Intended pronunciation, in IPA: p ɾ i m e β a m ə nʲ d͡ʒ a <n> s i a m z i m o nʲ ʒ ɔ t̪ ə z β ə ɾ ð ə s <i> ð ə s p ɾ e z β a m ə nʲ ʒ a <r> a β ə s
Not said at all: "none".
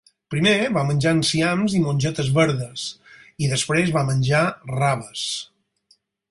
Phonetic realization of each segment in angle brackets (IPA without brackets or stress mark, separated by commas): n, i, r